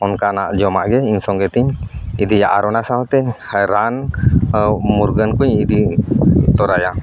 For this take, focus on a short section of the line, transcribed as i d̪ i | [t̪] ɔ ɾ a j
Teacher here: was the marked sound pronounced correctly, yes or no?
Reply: yes